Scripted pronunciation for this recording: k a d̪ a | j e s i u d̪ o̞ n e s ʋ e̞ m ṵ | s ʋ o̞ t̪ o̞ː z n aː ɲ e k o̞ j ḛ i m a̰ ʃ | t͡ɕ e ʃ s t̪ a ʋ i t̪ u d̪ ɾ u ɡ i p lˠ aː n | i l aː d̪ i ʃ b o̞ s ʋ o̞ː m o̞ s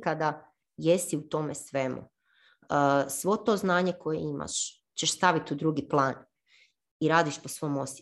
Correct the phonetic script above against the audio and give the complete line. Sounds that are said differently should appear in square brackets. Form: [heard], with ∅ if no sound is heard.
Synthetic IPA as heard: k a d̪ a | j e s i u [t̪] o̞ [m] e s ʋ e̞ m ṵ | s ʋ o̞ t̪ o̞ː z n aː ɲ e k o̞ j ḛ i m a̰ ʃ | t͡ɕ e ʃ s t̪ a ʋ i t̪ u d̪ ɾ u ɡ i p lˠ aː n | i [ɾ] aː d̪ i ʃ [p] o̞ s ʋ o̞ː m o̞ s